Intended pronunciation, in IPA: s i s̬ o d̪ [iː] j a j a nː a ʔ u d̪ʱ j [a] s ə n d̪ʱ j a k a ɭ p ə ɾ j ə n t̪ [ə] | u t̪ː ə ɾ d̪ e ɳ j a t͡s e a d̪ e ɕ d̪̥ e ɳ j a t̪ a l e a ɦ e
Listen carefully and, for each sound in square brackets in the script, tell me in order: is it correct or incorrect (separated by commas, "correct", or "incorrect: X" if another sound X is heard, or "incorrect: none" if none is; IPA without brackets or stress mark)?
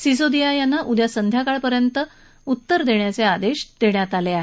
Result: incorrect: i, correct, correct